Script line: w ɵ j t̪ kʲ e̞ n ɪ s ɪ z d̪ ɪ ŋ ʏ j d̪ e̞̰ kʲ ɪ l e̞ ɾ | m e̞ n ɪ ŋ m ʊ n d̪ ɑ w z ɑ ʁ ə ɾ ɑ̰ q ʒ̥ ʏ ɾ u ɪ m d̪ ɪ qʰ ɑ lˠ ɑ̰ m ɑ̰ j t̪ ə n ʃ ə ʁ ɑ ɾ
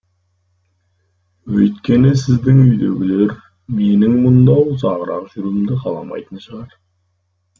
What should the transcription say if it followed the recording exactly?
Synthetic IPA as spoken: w ɵ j t̪ kʲ e̞ n ɪ s ɪ z d̪ ɪ ŋ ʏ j d̪ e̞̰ ɡʲ ɪ l e̞ ɾ | m e̞ n ɪ ŋ m ʊ n d̪ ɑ w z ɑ ʁ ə ɾ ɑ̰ q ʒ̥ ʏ ɾ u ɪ m d̪ ɪ qʰ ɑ lˠ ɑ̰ m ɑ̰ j t̪ ə n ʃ ə ʁ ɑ ɾ